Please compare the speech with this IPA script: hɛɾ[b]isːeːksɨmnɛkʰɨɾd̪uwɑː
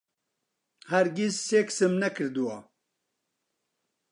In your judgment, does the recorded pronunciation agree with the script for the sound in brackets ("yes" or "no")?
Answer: no